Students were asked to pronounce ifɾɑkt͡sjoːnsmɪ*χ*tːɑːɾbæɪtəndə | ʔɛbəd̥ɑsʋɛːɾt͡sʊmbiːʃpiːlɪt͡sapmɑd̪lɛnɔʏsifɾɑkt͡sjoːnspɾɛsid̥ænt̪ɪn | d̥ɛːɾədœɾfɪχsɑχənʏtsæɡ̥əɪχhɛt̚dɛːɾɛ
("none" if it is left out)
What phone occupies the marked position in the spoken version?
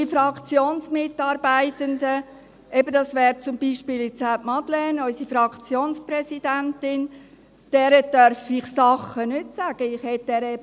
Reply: none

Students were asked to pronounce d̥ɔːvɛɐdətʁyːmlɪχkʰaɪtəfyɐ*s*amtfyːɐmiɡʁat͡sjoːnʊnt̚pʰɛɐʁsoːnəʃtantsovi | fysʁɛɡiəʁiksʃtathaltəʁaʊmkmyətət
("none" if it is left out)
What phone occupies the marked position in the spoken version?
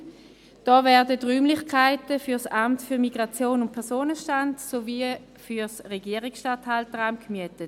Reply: s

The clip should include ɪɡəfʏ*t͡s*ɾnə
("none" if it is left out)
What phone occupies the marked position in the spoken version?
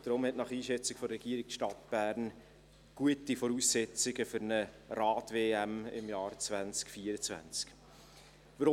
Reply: none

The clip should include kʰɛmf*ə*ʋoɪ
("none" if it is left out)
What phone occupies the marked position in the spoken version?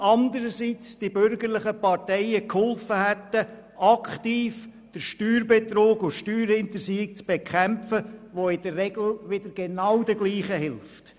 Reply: ə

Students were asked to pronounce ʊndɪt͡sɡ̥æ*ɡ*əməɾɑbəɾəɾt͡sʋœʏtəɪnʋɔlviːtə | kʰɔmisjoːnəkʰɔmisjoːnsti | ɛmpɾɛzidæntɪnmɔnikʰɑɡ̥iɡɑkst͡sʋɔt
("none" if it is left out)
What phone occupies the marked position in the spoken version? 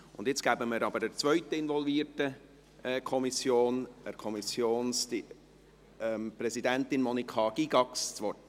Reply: b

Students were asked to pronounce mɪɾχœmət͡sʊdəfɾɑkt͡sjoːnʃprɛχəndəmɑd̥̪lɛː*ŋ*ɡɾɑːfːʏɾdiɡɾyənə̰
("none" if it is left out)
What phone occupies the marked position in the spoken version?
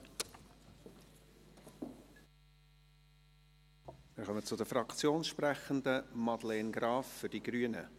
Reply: n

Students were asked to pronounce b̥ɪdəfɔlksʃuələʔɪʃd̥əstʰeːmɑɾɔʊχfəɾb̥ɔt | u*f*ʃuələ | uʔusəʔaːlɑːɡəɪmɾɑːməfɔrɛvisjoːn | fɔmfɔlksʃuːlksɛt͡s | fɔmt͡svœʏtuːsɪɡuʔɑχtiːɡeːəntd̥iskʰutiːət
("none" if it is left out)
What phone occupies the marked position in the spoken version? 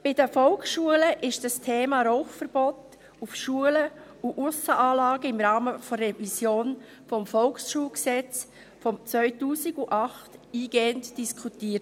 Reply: f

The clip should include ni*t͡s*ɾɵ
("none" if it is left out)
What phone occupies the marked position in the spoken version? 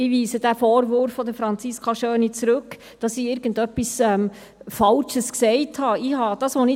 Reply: t͡s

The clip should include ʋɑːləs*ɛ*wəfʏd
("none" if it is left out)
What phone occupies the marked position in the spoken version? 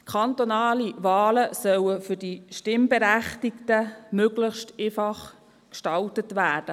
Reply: œ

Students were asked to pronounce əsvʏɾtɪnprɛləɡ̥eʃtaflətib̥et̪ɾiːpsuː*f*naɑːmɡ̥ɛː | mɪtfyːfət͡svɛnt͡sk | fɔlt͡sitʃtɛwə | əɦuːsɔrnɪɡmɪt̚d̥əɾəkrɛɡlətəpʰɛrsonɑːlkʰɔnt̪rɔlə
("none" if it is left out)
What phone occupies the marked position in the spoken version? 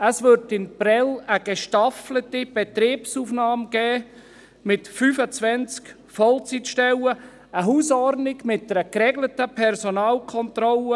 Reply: f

